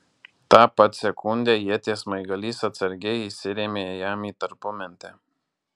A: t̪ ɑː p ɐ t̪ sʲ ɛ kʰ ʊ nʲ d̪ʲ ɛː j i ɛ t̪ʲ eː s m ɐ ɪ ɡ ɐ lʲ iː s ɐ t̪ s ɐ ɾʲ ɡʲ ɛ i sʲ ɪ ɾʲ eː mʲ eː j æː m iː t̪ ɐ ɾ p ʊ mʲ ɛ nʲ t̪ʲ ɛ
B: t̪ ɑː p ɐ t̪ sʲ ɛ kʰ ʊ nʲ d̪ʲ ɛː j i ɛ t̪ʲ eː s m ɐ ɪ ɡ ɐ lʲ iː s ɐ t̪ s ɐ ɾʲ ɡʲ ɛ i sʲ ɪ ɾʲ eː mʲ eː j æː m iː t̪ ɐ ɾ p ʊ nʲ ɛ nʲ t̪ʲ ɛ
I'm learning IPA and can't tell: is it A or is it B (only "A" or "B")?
A